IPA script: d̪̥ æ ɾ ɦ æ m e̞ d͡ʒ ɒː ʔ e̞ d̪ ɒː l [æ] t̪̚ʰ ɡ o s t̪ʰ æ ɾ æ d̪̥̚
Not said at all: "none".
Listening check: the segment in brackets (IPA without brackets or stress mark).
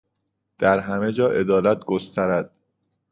æ